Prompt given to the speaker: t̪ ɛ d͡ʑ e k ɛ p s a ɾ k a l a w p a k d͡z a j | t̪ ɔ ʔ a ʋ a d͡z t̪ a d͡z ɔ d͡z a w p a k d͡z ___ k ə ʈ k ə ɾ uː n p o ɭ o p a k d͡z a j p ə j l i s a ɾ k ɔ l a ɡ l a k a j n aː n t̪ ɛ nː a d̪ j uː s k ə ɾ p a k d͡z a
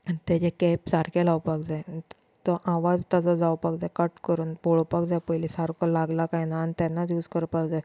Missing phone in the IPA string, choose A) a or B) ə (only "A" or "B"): A